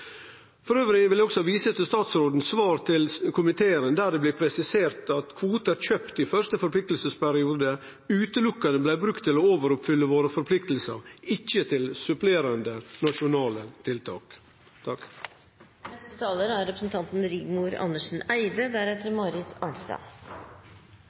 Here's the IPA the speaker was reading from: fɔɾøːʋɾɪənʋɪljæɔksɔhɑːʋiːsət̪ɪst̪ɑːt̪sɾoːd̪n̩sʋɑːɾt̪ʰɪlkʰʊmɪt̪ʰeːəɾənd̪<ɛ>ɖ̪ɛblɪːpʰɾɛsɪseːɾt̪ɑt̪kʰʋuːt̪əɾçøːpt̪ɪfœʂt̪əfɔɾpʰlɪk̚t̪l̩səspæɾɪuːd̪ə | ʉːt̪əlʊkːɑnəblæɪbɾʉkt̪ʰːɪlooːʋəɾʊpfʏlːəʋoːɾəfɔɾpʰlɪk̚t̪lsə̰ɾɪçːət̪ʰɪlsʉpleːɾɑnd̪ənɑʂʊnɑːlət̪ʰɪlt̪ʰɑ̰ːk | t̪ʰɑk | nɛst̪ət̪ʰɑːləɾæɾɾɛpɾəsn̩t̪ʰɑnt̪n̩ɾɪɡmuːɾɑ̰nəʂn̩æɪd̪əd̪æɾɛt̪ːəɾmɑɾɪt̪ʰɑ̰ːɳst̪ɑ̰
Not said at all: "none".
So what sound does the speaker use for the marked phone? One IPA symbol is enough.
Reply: æ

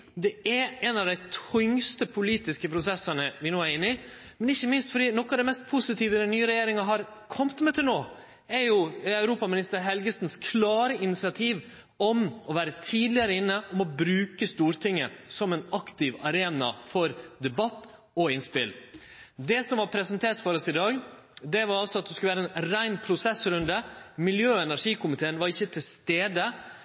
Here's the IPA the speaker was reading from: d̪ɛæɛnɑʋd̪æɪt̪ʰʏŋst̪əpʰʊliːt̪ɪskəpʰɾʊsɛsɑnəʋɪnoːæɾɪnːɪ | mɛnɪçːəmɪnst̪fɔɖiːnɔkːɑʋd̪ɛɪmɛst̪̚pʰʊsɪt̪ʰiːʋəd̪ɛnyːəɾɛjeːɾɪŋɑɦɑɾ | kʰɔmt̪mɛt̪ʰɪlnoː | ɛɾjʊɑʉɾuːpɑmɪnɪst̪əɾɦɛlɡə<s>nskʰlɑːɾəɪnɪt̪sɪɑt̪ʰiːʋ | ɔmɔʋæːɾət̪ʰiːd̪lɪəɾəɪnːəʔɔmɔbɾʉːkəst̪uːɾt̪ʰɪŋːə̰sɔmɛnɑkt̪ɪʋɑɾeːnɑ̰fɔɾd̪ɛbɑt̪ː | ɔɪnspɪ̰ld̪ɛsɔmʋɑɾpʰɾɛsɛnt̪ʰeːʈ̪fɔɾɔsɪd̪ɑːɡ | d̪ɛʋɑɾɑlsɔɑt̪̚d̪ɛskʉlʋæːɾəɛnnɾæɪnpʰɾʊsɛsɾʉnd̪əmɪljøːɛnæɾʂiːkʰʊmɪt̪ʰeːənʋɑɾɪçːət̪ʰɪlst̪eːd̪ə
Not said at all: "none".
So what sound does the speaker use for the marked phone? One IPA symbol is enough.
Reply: s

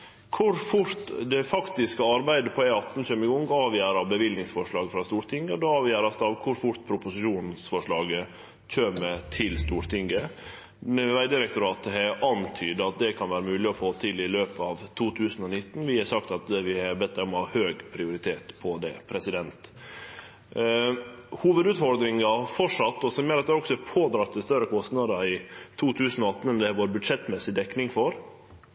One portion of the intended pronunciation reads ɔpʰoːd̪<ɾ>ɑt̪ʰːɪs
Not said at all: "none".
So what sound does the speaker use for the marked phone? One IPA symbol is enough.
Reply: ɾ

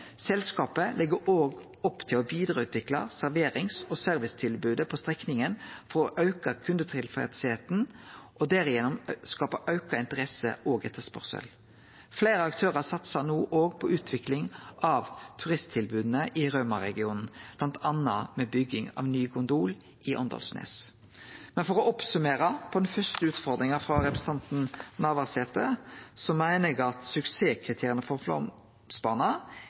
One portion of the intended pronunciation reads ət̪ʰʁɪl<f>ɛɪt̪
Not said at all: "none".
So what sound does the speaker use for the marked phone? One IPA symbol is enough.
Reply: f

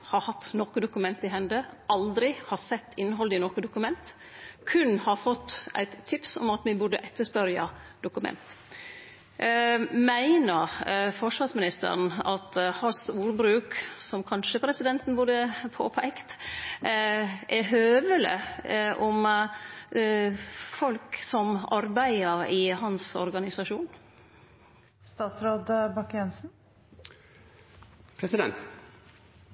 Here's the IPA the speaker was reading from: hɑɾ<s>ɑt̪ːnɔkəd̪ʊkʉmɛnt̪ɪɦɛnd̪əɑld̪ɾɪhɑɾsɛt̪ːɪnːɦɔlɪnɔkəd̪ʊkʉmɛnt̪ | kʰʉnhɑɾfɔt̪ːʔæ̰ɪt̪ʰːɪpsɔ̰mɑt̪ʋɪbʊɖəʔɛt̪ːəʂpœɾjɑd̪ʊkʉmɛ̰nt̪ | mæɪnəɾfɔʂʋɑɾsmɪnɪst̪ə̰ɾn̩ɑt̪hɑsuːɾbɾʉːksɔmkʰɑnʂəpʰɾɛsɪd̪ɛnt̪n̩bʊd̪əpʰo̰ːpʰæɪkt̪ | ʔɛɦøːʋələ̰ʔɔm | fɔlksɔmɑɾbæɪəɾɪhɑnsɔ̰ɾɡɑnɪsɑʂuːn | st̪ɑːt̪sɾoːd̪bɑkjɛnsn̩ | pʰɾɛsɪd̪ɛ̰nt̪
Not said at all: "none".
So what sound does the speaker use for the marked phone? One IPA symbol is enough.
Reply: h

